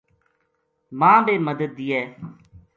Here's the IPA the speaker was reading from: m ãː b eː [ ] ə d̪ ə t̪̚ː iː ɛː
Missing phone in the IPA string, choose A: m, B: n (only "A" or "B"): A